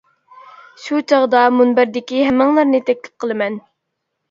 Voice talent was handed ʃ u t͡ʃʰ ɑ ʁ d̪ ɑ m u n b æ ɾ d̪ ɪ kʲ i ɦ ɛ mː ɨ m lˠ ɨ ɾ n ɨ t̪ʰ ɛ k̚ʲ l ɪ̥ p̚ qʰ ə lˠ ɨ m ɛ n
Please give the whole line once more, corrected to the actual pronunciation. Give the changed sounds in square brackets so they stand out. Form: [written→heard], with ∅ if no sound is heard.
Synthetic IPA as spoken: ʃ u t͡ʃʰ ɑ ʁ d̪ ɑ m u n b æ ɾ d̪ ɪ kʲ i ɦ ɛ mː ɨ [m→ŋ] lˠ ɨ ɾ n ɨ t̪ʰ ɛ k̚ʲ l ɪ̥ p̚ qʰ ə lˠ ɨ m ɛ n